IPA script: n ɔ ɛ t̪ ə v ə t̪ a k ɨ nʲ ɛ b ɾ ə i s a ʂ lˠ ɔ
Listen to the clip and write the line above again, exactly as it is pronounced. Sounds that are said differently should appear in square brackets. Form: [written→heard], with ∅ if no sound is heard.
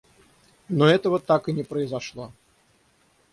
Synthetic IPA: n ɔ ɛ t̪ ə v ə t̪ a k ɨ nʲ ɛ [b→p] ɾ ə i [s→z] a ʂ lˠ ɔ